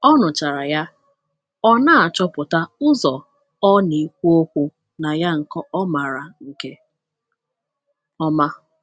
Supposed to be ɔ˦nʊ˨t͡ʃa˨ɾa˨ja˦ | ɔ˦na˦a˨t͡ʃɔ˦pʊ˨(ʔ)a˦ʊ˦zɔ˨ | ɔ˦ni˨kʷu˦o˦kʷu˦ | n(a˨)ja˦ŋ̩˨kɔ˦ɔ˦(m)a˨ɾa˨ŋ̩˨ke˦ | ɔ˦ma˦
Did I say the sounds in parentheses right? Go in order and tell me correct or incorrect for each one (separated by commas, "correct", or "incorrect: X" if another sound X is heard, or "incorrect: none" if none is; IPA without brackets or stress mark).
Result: incorrect: t, correct, correct